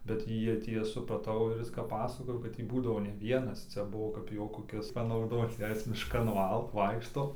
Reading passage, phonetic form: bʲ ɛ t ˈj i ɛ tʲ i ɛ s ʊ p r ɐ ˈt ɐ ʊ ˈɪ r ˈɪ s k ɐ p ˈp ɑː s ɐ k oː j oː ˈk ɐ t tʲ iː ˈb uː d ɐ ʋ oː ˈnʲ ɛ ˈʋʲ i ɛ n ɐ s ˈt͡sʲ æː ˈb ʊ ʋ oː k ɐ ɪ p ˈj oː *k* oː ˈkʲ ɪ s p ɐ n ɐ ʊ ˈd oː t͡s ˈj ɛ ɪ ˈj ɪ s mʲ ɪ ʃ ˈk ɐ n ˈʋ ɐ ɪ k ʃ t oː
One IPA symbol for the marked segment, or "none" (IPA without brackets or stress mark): k